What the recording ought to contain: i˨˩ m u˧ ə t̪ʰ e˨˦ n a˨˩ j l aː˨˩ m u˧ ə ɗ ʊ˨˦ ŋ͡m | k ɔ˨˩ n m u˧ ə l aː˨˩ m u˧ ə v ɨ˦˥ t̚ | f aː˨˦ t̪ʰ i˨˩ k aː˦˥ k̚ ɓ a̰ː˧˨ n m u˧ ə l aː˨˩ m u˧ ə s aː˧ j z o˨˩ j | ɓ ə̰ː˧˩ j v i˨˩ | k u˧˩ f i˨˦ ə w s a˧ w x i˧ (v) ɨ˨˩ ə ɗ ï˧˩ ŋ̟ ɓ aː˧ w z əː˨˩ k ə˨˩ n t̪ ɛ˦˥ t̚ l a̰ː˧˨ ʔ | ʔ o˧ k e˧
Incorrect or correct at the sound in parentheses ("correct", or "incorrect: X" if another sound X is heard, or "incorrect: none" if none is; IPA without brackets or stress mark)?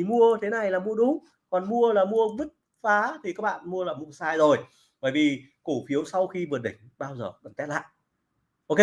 correct